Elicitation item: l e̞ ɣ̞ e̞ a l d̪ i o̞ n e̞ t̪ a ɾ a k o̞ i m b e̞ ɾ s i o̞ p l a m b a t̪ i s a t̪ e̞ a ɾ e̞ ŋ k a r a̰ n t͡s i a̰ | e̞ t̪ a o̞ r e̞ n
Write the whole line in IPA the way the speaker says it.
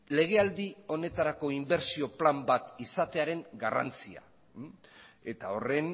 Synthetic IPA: l e̞ ɣ̞ e̞ a l d̪ i o̞ n e̞ t̪ a ɾ a k o̞ i m b e̞ ɾ s i o̞ p l a m b a t̪ i s a t̪ e̞ a ɾ e̞ ŋ ɡ a r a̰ n t͡s i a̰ | e̞ t̪ a o̞ r e̞ n